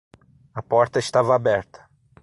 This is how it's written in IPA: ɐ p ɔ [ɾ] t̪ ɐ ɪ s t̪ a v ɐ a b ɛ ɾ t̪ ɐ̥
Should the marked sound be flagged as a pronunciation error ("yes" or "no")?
no